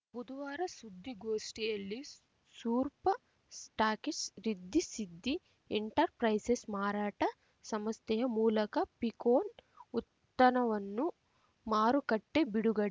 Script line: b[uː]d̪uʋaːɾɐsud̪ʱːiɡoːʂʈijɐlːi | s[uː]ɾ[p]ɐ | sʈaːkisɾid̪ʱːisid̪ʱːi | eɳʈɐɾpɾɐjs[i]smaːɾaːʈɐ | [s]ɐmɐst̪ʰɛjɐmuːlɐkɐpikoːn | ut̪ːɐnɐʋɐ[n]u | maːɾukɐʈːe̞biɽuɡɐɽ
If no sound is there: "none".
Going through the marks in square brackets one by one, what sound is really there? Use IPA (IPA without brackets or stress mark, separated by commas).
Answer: u, uː, p, e, s, nː